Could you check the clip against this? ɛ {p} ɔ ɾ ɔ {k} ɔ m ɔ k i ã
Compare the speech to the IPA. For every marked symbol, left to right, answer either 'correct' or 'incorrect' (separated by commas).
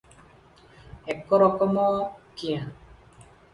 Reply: incorrect, correct